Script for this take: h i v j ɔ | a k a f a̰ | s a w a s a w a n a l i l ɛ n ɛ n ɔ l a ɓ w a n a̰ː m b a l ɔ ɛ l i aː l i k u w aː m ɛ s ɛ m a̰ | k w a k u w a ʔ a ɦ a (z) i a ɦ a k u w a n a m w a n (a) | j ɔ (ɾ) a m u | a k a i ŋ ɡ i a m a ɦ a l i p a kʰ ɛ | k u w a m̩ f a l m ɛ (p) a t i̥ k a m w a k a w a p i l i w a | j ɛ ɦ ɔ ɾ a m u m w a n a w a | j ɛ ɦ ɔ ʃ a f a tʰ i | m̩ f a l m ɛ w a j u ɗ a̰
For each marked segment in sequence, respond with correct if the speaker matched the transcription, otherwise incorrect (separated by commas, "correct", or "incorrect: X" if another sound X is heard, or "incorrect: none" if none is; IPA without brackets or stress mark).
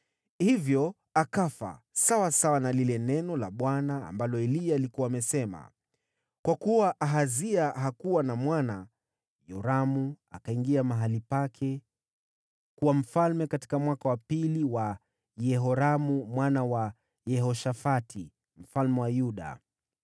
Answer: correct, correct, correct, incorrect: k